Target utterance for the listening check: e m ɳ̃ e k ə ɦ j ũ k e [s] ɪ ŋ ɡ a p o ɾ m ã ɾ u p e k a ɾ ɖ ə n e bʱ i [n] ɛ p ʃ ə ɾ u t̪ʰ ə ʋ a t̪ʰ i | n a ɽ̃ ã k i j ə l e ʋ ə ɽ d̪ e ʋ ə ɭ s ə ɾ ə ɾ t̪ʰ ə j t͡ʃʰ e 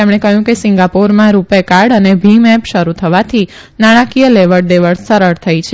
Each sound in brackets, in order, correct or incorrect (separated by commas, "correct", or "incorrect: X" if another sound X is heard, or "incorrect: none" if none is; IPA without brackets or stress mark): correct, incorrect: m